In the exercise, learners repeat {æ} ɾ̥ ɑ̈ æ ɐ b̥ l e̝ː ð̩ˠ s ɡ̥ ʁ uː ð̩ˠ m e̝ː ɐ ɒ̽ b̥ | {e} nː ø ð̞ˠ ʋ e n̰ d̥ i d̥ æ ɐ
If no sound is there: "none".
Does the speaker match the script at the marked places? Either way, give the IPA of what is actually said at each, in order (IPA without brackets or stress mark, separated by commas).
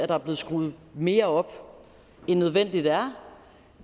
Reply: æ, e